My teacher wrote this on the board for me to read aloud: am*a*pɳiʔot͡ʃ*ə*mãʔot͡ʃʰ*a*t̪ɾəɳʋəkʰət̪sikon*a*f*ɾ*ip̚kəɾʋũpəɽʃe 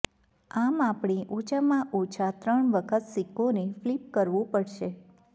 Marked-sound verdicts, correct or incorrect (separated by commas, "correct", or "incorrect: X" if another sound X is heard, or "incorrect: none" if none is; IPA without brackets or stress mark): correct, incorrect: a, correct, incorrect: e, incorrect: l